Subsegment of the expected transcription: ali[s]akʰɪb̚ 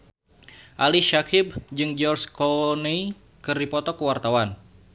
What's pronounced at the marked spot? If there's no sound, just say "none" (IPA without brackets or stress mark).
ʃ